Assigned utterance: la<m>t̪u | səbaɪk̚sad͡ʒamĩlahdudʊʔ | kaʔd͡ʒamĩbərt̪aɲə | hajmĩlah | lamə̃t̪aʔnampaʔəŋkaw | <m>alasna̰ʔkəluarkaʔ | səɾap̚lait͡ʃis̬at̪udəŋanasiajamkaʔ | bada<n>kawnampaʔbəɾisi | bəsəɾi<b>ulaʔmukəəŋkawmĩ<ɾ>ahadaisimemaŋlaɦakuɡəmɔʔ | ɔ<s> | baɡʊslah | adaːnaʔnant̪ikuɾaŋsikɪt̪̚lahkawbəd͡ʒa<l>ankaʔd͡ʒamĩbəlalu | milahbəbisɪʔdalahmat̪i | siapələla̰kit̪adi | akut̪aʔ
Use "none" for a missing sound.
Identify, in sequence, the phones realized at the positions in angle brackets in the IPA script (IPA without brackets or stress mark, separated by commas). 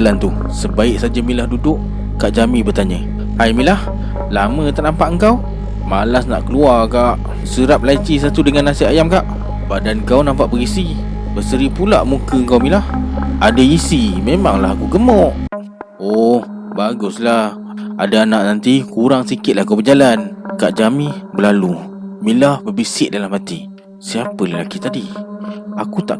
n, m, n, p, l, h, l